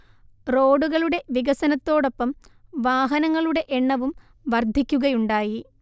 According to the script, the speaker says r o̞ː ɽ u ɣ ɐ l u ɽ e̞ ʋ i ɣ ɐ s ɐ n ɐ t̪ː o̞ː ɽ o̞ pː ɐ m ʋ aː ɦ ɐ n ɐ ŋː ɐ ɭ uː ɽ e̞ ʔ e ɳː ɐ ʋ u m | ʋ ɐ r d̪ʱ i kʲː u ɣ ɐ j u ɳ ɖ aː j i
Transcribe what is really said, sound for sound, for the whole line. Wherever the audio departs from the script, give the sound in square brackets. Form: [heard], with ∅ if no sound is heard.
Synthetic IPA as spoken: r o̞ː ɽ u ɣ ɐ [ɭ] u ɽ e̞ ʋ i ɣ ɐ s ɐ n ɐ t̪ː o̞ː ɽ o̞ pː ɐ m ʋ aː ɦ ɐ n ɐ ŋː ɐ ɭ [u] ɽ e̞ ʔ e ɳː ɐ ʋ u m | ʋ ɐ r d̪ʱ i kʲː u ɣ ɐ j u ɳ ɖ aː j i